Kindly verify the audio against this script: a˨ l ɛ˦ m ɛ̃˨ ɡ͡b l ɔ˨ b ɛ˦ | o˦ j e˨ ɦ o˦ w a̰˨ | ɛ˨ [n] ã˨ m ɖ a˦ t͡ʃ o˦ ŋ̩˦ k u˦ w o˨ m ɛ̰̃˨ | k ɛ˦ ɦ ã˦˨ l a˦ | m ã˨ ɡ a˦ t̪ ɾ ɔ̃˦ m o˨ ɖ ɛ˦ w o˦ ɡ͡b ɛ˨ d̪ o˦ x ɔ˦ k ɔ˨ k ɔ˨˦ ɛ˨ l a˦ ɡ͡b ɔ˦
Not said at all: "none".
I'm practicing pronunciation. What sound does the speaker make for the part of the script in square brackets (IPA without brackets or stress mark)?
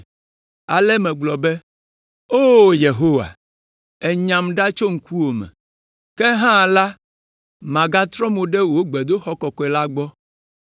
ɲ